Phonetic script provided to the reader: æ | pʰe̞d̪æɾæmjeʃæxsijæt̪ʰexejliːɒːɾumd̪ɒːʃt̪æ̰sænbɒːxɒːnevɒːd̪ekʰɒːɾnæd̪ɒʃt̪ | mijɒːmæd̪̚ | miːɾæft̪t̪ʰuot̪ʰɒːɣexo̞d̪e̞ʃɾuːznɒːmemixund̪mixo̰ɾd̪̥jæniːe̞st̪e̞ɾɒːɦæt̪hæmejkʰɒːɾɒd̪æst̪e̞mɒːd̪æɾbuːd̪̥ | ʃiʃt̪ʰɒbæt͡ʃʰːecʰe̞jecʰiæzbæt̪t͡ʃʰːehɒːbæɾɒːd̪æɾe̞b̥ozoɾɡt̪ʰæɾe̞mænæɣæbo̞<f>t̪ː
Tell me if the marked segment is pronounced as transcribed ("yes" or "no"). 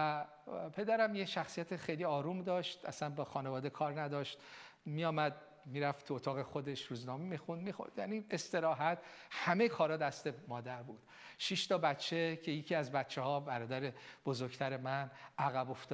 yes